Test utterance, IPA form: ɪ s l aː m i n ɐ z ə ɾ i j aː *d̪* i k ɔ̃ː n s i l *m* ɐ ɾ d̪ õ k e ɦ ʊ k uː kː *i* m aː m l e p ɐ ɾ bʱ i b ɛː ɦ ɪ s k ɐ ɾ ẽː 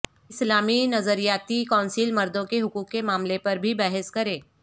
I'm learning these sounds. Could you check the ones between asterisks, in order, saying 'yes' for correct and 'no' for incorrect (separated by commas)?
no, yes, no